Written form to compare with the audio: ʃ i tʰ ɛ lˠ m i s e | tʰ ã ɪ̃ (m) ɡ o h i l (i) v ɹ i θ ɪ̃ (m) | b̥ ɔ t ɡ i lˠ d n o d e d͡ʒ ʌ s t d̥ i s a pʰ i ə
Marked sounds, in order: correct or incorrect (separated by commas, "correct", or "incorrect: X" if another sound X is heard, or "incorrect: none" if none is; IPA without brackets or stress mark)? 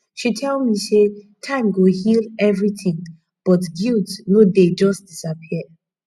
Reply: correct, incorrect: ɛ, incorrect: ŋ